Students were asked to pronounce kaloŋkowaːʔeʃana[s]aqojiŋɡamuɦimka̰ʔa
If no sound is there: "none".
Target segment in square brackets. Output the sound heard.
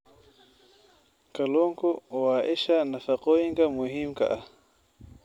f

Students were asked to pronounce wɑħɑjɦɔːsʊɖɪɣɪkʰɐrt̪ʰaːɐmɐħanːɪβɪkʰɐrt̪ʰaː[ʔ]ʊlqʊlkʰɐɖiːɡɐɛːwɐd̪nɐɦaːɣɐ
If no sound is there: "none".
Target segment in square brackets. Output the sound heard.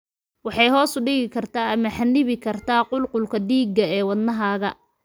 q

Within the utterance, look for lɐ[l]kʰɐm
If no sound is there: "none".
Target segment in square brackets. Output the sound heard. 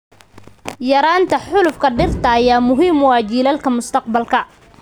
l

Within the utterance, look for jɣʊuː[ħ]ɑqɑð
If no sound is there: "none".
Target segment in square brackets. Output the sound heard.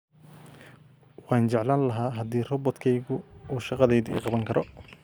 ʃ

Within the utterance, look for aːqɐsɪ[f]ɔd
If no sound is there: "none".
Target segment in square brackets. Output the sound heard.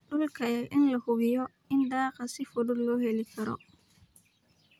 f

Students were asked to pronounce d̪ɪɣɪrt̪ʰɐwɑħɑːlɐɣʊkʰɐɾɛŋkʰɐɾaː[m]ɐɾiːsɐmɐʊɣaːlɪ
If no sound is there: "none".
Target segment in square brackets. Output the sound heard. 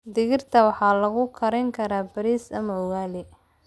b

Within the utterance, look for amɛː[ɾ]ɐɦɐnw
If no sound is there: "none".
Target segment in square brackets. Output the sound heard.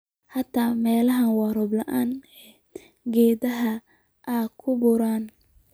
l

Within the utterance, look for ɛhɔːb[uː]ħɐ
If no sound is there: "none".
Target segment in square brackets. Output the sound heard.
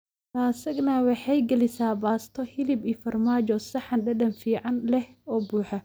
uː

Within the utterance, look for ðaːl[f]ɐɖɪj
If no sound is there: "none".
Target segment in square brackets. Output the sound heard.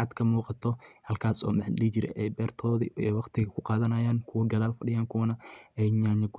f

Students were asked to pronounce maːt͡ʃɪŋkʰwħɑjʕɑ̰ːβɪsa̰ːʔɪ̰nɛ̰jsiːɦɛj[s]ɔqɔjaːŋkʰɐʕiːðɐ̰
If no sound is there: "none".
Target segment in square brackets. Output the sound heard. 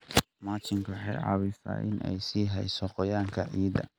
s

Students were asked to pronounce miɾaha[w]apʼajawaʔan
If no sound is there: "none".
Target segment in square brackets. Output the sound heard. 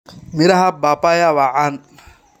b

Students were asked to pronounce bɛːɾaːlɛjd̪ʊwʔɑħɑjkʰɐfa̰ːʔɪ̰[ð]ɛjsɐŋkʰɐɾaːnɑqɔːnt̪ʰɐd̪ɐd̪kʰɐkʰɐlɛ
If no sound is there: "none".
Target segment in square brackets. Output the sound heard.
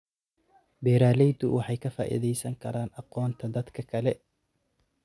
ð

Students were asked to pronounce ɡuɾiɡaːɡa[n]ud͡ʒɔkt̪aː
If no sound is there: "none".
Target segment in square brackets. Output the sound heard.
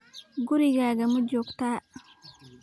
m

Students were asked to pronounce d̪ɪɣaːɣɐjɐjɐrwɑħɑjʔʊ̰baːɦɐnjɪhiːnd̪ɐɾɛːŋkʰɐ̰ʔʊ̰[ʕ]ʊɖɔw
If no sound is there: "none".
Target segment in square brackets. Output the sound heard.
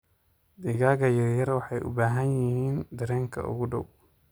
ɣ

